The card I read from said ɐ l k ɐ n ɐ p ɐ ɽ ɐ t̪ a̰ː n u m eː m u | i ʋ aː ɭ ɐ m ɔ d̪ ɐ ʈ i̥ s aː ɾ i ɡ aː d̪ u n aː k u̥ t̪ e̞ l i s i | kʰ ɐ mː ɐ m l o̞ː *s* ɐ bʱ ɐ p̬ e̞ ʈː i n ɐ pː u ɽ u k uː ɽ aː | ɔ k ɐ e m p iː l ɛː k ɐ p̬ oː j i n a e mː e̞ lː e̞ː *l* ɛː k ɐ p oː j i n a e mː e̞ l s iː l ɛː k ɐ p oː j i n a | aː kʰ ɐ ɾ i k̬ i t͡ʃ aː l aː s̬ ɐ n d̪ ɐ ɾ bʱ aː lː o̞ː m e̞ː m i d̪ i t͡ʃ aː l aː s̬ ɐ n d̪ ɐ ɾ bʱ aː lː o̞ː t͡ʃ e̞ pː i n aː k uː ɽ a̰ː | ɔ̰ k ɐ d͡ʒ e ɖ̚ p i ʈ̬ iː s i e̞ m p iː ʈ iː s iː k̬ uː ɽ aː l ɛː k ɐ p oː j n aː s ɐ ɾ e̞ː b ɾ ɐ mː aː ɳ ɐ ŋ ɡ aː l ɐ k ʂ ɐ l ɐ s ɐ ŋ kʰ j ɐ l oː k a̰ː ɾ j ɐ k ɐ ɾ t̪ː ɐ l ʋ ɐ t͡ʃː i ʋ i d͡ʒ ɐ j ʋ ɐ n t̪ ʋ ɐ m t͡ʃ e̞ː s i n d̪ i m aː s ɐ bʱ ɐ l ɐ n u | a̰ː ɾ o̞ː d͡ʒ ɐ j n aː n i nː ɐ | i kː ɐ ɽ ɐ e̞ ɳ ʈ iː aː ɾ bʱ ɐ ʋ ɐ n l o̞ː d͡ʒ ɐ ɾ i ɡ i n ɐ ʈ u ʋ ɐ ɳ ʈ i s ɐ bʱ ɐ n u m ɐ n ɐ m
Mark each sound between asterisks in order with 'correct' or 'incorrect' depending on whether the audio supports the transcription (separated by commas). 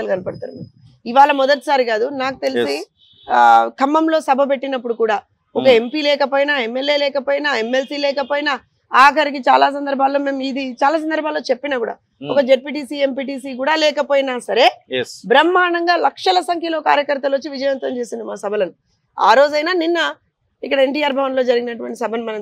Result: correct, correct